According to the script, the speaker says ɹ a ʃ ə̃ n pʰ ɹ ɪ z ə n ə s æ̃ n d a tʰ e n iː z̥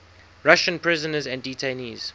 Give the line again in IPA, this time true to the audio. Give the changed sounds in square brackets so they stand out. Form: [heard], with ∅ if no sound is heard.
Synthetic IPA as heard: ɹ a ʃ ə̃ n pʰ ɹ ɪ z ə n ə [z] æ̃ n d [i] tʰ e n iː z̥